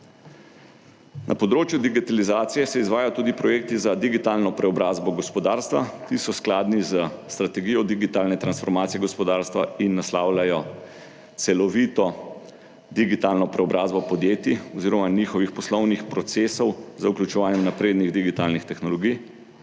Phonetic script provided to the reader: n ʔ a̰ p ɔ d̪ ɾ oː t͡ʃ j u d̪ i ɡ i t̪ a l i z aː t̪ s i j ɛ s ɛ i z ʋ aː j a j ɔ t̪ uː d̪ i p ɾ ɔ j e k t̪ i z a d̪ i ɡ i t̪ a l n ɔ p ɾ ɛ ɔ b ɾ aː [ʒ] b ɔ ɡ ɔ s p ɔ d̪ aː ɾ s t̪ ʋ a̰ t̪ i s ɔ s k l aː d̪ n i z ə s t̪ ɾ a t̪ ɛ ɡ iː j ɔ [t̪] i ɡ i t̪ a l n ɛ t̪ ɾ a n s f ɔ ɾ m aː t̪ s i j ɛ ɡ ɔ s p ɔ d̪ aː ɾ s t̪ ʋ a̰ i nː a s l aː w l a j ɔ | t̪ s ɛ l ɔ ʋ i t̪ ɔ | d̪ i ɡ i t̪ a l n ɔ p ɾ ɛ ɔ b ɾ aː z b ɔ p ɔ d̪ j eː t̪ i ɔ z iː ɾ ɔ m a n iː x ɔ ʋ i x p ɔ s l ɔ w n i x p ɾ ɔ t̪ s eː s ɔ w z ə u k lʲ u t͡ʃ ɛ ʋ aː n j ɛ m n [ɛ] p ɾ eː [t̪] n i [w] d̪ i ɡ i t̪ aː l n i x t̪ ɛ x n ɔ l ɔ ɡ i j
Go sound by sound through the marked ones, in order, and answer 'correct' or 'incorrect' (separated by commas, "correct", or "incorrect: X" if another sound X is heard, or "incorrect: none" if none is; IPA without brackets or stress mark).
incorrect: z, incorrect: d̪, incorrect: a, incorrect: d̪, incorrect: ɣ